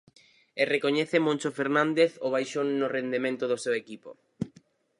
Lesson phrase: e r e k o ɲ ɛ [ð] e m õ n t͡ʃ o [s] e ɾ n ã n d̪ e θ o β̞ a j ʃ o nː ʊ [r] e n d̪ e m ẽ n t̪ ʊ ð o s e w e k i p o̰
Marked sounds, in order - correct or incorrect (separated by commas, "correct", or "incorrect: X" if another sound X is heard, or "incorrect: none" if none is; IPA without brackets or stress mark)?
incorrect: θ, incorrect: f, correct